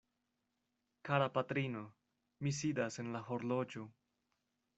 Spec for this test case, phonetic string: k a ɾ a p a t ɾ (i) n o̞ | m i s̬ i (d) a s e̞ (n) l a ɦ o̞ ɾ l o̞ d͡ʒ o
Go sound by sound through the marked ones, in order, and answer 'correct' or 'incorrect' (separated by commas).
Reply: correct, correct, correct